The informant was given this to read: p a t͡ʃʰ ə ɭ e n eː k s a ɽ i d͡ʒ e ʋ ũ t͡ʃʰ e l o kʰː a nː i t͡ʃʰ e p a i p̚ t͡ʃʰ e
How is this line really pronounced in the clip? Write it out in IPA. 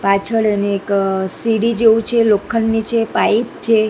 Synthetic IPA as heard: p a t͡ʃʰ ə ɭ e n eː k s i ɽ i d͡ʒ e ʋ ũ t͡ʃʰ e l o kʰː ə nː i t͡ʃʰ e p a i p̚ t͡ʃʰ e